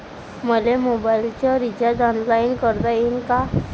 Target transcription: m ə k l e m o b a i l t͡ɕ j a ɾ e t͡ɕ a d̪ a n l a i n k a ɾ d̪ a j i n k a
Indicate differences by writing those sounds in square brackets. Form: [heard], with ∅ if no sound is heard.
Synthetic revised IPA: m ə [∅] l e m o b a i l t͡ɕ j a ɾ [i] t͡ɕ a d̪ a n l a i n k [ə] ɾ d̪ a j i n k a